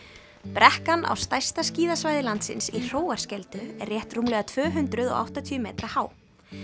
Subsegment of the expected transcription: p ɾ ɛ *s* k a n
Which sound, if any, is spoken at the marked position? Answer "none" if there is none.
h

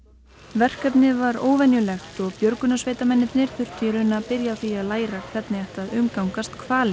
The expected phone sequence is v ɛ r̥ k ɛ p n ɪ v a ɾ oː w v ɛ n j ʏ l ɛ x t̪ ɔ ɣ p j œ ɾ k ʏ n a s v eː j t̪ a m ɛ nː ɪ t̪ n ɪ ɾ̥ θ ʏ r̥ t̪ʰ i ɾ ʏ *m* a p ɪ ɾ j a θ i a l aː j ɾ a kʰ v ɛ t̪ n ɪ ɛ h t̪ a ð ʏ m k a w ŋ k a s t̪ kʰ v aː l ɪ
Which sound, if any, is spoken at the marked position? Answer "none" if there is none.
n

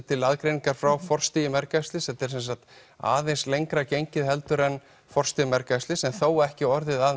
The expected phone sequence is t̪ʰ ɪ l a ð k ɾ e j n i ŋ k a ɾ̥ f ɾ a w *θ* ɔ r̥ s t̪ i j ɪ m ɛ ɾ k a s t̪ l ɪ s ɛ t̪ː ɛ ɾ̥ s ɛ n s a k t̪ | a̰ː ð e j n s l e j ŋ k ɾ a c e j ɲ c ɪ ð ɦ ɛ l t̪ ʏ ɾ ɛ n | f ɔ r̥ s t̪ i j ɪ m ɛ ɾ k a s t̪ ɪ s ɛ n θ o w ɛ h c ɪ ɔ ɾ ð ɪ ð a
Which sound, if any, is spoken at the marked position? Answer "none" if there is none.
f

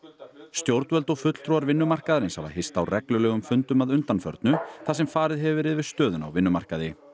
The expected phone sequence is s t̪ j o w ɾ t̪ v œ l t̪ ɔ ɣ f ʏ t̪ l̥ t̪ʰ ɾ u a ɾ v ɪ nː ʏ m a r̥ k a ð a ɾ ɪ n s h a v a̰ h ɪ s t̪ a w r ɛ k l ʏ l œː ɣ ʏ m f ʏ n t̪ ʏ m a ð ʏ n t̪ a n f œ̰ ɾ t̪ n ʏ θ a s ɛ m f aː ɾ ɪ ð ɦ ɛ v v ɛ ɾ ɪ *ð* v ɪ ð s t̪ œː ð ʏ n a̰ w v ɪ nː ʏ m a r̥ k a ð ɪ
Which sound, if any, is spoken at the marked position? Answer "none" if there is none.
ð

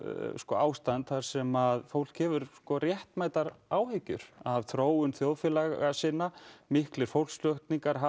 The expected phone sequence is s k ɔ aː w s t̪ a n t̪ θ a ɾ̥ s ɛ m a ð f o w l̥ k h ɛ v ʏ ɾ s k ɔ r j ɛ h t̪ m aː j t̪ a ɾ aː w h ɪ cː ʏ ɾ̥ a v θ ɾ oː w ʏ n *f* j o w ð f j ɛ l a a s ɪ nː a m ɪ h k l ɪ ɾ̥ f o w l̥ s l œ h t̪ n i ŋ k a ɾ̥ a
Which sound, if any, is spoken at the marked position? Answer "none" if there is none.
θ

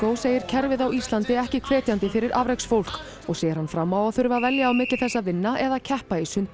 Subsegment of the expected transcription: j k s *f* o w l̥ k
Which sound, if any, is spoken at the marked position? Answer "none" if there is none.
f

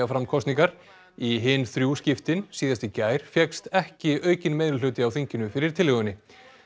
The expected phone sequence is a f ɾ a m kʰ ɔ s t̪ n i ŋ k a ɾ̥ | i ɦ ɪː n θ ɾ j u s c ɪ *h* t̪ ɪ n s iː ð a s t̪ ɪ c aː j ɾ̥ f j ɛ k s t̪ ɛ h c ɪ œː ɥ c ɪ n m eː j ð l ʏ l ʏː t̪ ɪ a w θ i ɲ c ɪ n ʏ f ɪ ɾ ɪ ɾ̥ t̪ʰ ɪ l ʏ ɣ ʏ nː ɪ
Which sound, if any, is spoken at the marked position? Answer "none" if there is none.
f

